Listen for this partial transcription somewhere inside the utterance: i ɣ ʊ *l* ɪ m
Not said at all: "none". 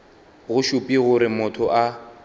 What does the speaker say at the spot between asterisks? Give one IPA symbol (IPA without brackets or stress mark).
ɾ